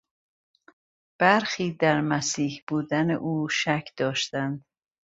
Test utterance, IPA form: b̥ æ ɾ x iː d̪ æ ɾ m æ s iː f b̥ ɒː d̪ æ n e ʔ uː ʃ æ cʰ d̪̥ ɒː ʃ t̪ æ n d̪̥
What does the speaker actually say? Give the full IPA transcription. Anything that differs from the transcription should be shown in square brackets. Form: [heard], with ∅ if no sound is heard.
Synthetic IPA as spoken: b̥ æ ɾ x iː d̪ æ ɾ m æ s iː [h] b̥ [uː] d̪ æ n e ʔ uː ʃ æ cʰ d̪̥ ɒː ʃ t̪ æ n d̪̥